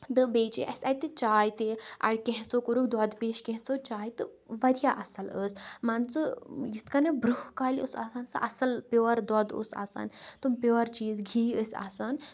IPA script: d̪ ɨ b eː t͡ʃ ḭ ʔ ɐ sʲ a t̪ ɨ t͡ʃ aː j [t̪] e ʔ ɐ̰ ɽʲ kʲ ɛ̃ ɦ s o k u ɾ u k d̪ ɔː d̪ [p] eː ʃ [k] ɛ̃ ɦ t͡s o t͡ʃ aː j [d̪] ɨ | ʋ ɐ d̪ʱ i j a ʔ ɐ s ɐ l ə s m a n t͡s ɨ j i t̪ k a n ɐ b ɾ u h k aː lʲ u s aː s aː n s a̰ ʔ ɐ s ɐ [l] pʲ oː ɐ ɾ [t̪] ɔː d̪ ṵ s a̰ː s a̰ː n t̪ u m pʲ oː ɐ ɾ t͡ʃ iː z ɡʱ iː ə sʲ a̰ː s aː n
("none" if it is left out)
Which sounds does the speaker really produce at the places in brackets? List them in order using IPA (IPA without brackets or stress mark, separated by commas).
t̪, p, k, t̪, l, d̪